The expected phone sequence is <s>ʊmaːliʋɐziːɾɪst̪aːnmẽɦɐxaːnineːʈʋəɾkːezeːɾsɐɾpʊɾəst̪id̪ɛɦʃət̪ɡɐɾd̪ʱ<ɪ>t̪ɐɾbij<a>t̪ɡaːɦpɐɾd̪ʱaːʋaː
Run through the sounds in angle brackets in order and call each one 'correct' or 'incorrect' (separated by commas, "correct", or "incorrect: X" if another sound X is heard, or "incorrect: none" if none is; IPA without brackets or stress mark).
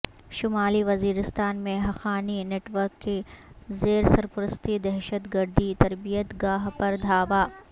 incorrect: ʃ, incorrect: i, incorrect: ə